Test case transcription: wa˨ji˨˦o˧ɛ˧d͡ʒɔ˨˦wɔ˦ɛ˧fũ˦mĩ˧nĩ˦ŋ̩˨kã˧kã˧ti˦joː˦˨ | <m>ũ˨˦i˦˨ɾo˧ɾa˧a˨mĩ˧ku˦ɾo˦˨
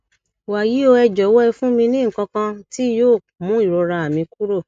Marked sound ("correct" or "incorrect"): correct